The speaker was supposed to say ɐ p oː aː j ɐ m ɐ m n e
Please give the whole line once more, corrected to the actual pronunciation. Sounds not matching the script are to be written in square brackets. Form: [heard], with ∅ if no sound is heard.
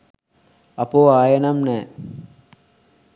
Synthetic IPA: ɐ p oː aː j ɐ [n] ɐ m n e